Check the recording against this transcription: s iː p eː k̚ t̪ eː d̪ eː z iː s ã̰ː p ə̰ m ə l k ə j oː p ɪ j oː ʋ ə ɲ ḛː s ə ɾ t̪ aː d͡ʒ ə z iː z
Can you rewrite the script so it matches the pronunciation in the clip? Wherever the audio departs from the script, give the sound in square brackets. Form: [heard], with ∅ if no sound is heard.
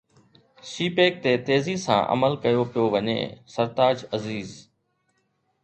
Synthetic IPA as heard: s iː p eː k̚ t̪ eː [t̪] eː z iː s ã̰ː [ʔ] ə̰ m ə l k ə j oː p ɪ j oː ʋ ə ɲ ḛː s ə ɾ t̪ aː d͡ʒ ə z iː z